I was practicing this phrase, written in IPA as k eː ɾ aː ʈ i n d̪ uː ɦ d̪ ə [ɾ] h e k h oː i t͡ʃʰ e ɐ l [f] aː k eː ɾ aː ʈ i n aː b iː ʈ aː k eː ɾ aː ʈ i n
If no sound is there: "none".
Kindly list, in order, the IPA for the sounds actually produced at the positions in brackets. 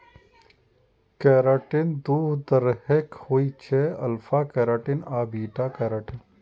ɾ, f

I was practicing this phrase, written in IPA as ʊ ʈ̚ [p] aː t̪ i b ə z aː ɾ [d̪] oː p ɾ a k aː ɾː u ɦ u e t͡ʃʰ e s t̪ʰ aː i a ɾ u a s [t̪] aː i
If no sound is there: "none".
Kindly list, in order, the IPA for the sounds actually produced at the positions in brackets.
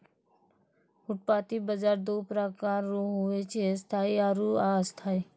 p, d̪, t̪ʰ

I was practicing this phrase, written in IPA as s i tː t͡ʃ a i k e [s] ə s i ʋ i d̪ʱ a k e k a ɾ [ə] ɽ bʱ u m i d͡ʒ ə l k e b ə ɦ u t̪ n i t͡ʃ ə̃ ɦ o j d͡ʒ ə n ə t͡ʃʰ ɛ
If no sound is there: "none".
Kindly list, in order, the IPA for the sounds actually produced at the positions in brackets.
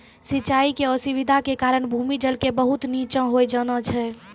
none, ə

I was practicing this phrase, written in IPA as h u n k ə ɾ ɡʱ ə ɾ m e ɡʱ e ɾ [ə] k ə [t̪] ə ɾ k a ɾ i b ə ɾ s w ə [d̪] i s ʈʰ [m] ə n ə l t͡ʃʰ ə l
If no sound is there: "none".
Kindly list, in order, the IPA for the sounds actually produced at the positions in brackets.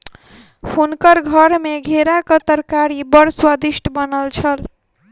a, t̪, d̪, b

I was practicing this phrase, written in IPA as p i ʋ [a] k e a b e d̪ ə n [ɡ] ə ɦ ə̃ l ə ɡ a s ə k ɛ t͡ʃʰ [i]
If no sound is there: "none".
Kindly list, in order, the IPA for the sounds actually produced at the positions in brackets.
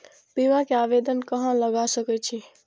a, k, i

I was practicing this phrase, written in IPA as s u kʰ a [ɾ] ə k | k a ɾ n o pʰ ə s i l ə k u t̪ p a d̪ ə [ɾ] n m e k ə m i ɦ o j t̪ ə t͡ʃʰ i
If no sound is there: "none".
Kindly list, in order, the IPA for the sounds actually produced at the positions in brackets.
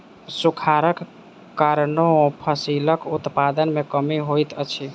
ɾ, none

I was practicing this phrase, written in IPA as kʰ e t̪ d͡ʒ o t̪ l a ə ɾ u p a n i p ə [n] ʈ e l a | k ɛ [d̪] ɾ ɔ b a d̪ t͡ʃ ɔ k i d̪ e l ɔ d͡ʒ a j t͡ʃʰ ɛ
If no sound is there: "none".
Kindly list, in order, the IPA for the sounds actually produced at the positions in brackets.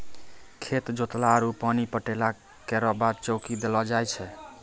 none, none

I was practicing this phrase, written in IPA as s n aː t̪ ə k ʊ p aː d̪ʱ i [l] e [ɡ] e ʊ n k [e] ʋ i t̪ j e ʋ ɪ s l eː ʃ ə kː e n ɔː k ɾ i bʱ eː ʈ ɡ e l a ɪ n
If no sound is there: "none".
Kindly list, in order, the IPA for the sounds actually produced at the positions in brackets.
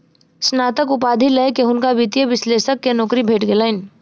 l, k, a

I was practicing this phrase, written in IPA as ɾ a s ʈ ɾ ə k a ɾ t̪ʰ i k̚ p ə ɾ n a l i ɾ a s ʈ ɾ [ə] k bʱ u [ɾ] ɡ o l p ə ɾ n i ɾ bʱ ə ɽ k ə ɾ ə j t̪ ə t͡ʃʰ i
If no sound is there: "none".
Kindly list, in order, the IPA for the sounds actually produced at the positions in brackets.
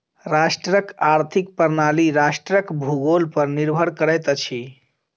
ə, none

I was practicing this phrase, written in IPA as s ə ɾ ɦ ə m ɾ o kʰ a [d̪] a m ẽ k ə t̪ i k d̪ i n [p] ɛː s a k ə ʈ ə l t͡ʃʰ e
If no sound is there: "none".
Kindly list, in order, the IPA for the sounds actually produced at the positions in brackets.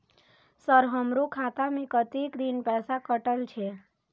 t̪, p

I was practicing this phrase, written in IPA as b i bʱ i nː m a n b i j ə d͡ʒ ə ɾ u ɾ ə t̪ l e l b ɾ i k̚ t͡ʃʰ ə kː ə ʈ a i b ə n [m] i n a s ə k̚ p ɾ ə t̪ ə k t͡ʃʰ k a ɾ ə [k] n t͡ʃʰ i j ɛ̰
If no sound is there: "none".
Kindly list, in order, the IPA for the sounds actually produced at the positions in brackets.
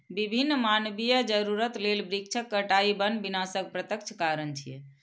b, none

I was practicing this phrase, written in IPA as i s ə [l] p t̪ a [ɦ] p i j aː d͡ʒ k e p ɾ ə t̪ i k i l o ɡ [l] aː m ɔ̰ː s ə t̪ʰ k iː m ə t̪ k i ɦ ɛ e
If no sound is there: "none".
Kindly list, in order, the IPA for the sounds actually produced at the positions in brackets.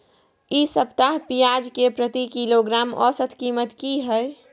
none, ɦ, ɾ

